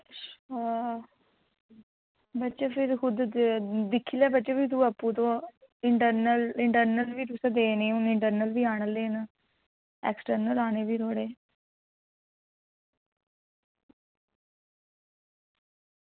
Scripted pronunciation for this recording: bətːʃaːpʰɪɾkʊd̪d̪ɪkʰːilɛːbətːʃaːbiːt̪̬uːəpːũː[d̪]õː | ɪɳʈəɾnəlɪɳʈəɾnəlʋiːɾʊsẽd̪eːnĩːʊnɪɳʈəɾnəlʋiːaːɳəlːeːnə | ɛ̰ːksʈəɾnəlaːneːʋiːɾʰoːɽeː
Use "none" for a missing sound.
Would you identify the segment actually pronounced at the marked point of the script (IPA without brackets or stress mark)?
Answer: t̪